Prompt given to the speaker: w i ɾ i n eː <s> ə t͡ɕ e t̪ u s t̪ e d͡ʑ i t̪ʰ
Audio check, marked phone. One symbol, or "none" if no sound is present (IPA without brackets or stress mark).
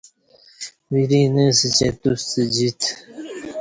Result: s